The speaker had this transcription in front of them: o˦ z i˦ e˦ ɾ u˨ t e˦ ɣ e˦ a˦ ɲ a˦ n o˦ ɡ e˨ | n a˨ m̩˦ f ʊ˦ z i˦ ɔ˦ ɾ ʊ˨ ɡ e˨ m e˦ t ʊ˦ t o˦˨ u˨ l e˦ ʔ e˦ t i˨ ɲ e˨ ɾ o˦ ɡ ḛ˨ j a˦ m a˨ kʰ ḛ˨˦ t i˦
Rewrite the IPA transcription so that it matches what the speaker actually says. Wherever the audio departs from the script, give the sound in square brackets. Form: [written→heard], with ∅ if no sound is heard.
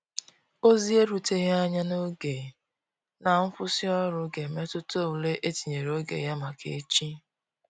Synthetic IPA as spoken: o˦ z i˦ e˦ ɾ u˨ t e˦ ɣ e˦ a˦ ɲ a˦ n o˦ ɡ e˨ | n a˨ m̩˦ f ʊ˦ [z→s] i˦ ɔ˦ ɾ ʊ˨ ɡ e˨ m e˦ t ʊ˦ t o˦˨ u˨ l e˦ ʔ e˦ t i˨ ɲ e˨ ɾ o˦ ɡ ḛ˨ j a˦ m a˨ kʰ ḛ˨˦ [t→t͡ʃ] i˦